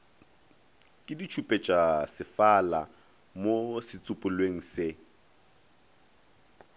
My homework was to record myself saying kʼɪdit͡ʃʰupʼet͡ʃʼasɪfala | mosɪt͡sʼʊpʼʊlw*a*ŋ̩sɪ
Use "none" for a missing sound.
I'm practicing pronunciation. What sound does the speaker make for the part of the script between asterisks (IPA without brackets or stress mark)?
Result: e